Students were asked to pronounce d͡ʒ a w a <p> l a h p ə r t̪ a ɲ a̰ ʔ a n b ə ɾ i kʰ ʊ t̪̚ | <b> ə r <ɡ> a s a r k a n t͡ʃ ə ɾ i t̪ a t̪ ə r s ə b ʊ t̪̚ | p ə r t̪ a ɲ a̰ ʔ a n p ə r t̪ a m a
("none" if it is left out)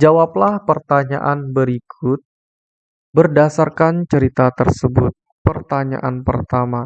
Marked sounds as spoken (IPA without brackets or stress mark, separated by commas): p, b, d